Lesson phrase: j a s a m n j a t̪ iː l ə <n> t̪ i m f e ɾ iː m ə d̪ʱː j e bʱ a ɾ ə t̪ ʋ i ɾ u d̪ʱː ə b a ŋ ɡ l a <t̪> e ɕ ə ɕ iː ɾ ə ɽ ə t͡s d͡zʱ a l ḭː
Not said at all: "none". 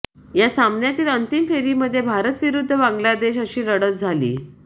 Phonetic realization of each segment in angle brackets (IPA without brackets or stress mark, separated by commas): n, d̪